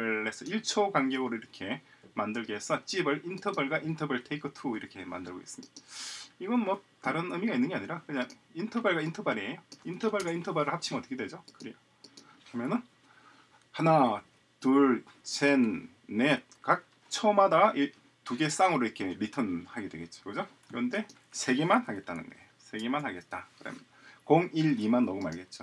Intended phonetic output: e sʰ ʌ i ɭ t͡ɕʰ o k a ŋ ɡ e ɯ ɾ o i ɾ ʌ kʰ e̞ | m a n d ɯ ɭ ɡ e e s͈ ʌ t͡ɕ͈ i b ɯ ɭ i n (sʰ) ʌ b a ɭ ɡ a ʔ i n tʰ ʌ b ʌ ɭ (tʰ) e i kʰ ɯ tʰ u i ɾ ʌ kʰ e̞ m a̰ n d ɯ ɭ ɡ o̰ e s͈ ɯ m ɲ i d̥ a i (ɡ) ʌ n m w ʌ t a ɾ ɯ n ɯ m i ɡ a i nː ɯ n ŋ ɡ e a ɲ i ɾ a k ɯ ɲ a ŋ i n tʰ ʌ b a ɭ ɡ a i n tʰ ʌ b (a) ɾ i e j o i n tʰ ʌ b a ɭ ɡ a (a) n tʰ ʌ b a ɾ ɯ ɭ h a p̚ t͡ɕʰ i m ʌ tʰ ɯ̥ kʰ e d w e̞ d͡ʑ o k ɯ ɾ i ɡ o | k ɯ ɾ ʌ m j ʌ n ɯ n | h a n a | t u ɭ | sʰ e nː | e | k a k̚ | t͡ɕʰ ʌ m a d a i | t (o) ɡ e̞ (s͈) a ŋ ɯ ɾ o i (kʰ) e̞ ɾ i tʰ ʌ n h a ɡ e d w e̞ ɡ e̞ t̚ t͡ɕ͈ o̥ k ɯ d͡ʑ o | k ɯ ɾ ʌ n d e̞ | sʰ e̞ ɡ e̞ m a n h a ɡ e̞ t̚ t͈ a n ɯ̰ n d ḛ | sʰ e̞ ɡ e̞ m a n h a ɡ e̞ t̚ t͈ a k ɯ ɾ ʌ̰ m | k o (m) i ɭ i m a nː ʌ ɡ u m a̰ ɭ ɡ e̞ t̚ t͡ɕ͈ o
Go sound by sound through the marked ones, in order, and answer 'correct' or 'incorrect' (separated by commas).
incorrect, correct, correct, correct, incorrect, incorrect, correct, correct, incorrect